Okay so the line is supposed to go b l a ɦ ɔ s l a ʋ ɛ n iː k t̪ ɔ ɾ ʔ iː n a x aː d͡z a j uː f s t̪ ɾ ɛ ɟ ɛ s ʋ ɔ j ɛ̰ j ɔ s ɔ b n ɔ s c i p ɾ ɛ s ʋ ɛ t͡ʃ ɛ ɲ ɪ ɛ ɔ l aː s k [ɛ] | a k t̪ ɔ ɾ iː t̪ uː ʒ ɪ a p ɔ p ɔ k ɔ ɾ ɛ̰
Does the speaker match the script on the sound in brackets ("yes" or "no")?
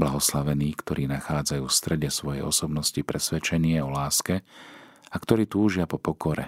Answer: yes